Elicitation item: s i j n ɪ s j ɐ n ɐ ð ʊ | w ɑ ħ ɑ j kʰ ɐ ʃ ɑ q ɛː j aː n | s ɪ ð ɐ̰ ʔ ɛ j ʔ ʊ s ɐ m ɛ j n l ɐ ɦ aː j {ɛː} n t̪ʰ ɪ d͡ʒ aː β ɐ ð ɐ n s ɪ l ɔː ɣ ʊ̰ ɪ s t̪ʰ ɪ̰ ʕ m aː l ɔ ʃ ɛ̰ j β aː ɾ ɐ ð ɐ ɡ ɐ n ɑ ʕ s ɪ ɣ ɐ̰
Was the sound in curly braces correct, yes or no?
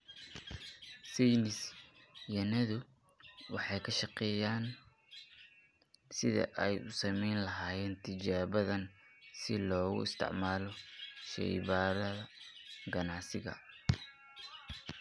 yes